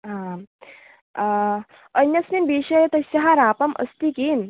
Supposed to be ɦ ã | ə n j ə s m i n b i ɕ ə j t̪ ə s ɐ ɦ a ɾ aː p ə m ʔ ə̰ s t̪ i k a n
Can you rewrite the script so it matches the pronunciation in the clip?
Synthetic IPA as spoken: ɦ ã | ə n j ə s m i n b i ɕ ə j t̪ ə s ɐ ɦ a ɾ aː p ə m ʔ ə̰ s t̪ i k i n